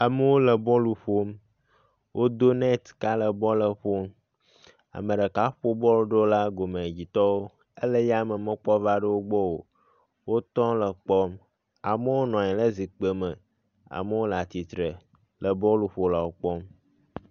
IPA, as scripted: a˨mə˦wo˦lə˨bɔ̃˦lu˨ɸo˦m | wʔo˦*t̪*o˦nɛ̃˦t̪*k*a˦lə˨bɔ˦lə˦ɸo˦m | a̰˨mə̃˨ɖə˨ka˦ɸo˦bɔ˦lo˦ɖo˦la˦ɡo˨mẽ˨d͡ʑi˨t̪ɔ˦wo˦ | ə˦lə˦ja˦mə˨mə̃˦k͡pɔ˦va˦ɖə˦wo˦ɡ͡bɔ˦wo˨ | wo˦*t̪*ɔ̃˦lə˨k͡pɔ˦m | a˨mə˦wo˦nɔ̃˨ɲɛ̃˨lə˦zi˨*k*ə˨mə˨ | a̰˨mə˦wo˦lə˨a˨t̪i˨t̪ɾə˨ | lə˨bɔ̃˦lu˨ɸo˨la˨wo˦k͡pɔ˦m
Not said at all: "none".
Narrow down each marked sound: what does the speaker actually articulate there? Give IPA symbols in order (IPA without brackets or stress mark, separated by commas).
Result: d̪, k, t̪, k͡p